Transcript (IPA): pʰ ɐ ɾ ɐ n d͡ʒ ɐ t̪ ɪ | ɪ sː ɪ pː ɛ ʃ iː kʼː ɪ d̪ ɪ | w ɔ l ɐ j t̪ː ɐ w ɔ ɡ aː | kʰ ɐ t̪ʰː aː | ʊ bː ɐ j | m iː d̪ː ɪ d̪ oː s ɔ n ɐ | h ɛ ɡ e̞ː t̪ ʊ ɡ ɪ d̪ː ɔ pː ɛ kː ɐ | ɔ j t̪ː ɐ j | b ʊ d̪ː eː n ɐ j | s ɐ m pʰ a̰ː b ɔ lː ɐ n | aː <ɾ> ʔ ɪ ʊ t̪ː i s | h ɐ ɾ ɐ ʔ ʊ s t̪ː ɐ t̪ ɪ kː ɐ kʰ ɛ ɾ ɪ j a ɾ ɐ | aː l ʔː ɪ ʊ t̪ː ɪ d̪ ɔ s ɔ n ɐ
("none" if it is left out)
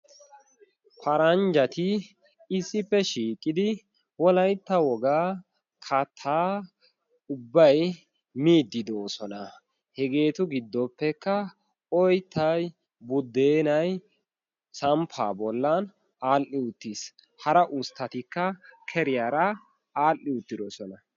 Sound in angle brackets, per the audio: l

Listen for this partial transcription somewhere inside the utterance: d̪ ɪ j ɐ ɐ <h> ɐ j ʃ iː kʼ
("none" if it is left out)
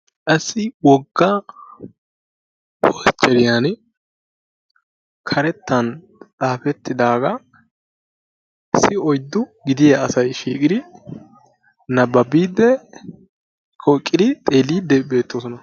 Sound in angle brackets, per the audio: s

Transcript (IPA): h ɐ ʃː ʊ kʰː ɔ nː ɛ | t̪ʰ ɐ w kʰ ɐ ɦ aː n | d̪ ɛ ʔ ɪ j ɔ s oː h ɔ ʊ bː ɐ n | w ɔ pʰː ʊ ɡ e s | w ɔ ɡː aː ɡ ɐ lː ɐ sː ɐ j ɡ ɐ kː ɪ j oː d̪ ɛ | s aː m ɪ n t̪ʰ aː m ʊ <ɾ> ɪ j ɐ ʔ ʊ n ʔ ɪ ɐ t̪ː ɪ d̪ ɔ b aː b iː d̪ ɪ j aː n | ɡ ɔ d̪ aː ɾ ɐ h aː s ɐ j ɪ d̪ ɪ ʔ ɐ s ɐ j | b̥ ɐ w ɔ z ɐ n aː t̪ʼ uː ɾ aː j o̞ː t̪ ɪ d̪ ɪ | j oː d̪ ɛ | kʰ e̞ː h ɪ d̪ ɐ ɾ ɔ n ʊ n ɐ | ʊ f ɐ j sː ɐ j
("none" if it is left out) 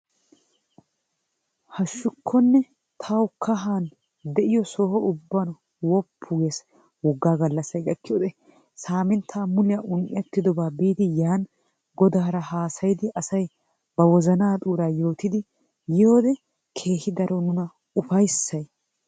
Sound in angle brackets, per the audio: l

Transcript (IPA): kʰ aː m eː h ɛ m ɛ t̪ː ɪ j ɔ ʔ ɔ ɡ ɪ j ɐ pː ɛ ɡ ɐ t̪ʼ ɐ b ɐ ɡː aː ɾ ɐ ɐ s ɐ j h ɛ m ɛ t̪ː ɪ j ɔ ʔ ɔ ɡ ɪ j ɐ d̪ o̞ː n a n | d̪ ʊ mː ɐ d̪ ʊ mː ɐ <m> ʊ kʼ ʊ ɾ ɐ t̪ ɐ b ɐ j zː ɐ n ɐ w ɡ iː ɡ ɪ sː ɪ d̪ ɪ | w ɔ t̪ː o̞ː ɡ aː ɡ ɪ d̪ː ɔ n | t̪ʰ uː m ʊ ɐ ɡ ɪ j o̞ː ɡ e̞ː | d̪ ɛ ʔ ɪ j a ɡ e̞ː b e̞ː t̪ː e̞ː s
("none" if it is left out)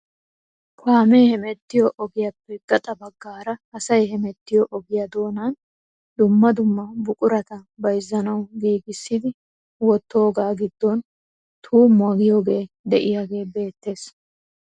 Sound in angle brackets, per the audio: b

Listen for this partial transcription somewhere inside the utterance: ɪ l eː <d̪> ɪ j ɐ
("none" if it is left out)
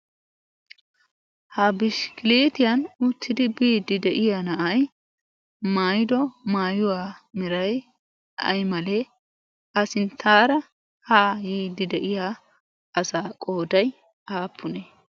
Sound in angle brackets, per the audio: t̪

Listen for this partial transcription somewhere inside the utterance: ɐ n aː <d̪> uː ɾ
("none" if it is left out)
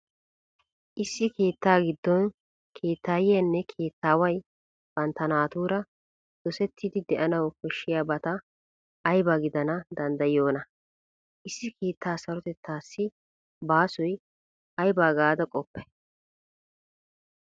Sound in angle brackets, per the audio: t̪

